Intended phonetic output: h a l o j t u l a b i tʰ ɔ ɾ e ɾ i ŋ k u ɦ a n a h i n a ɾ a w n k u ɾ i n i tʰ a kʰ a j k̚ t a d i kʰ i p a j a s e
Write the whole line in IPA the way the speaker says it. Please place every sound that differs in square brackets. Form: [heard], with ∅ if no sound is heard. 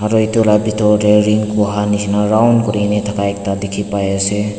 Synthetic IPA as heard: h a [ɾ] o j t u l a b i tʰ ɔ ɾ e ɾ i ŋ k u ɦ a n [i] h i n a ɾ a w n k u ɾ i n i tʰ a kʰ a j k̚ t a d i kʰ i p a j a s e